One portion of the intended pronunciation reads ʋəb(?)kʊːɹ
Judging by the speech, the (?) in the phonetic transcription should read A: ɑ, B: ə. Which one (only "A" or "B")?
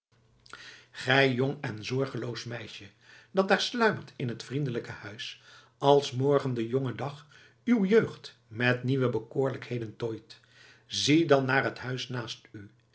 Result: B